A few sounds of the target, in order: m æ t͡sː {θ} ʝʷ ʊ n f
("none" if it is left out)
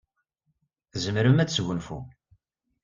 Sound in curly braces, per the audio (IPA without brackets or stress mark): s